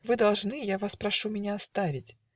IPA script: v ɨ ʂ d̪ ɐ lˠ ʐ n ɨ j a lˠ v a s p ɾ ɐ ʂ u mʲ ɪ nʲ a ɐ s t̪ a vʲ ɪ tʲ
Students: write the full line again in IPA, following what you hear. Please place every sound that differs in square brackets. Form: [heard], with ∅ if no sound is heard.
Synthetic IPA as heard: v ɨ [∅] d̪ ɐ lˠ ʐ n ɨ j a [∅] v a s p ɾ ɐ ʂ u mʲ ɪ nʲ a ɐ s t̪ a vʲ ɪ tʲ